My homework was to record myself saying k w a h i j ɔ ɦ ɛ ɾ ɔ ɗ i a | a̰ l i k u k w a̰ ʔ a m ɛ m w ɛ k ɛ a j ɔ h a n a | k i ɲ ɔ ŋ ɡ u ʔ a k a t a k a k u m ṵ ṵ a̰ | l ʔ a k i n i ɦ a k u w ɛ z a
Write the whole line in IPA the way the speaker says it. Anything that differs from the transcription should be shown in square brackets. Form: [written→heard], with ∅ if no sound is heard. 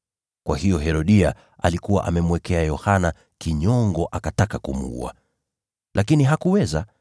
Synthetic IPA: k w a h i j ɔ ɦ ɛ ɾ ɔ ɗ i a | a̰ l i k u [k→∅] w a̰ ʔ a m ɛ m w ɛ k ɛ a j ɔ h a n a | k i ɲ ɔ ŋ ɡ [u→ɔ] ʔ a k a t a k a k u m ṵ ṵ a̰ | l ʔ a k i n i ɦ a k u w ɛ z a